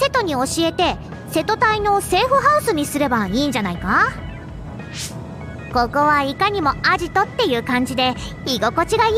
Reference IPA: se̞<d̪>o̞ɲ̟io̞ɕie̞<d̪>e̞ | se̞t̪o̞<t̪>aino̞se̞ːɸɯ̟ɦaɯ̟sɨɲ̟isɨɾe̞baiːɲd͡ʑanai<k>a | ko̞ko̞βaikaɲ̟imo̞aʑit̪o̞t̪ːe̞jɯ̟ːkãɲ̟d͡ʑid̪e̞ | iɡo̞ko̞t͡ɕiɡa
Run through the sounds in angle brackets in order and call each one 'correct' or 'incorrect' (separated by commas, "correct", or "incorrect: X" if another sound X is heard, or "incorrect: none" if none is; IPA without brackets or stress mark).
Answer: incorrect: t̪, incorrect: t̪, correct, correct